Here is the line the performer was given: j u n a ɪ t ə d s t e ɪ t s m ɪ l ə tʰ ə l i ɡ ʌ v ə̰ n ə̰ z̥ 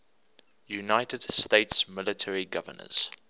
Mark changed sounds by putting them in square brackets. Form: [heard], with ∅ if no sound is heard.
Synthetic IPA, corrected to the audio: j u n a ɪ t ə d s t e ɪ t s m ɪ l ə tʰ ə [ɹ] i ɡ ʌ v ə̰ n ə̰ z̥